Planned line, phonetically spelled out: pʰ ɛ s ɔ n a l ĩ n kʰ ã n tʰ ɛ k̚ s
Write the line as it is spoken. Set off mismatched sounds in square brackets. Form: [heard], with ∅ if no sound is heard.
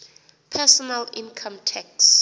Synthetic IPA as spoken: pʰ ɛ s ɔ n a l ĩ n kʰ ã [m] tʰ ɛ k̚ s